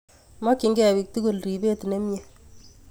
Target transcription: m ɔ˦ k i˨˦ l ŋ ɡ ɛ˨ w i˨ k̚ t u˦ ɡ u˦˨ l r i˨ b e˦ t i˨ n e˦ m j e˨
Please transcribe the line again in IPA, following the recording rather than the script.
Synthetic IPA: m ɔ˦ k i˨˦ ŋ ɡ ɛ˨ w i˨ k̚ t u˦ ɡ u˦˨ l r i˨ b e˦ t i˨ n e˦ m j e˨